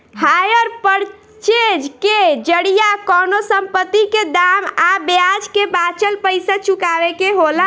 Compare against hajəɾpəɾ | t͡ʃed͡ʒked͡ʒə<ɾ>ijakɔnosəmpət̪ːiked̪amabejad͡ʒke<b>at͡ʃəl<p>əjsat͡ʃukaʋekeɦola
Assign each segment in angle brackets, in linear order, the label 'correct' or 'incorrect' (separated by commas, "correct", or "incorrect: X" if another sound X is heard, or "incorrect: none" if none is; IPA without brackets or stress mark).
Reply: incorrect: ɽ, correct, correct